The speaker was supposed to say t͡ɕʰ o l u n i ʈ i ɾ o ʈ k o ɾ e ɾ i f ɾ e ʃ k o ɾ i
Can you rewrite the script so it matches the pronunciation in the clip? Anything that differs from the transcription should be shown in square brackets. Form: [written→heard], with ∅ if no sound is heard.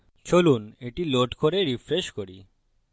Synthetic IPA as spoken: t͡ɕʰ o l u n [i→e] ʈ i [ɾ→l] o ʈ k o ɾ e ɾ i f ɾ e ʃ k o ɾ i